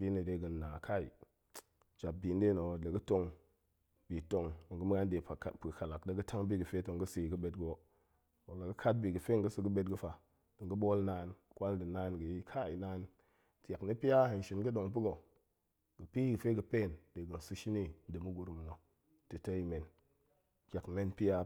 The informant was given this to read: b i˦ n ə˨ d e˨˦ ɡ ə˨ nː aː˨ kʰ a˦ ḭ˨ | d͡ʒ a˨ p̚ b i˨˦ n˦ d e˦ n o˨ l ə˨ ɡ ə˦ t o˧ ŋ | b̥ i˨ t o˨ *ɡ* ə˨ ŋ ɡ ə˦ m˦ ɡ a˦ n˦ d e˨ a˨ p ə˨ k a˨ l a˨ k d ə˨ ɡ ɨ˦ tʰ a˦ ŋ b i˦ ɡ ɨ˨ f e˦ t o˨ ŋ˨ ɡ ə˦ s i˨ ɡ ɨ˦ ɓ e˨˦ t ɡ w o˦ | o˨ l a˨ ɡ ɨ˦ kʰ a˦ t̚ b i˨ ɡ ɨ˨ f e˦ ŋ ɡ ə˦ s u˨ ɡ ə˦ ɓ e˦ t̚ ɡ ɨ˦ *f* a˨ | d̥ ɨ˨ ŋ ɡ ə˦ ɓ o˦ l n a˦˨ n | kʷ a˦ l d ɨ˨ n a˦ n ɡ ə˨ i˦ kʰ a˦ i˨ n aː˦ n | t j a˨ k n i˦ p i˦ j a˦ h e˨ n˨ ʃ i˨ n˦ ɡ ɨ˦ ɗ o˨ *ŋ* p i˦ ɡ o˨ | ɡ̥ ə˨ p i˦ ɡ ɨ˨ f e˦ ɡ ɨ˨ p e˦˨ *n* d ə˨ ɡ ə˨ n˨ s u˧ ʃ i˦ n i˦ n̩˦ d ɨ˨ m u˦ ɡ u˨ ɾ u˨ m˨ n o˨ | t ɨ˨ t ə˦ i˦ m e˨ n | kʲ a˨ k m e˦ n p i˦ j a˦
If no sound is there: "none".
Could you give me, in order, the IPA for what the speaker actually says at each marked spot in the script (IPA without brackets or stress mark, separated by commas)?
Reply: ŋ, f, ŋ, n